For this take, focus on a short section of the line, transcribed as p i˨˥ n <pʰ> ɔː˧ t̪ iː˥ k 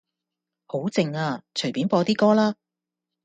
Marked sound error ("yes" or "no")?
yes